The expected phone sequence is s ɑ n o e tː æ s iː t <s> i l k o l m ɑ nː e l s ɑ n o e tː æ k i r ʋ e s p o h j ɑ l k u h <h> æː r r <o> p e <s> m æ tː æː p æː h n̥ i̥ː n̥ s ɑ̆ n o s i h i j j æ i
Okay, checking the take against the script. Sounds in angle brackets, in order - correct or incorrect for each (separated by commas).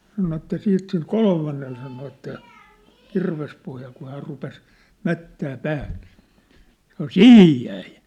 correct, correct, incorrect, correct